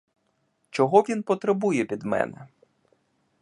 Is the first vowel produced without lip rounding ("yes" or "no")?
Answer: no